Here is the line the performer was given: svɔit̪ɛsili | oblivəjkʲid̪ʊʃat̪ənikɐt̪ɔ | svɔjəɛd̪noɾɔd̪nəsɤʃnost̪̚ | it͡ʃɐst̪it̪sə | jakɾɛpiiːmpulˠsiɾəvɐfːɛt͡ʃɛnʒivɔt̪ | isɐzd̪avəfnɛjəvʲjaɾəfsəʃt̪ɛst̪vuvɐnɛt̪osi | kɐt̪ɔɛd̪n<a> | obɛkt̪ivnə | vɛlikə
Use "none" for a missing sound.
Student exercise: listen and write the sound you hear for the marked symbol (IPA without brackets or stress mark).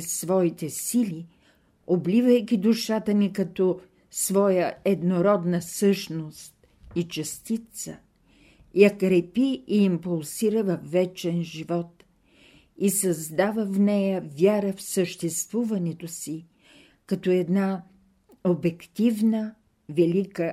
a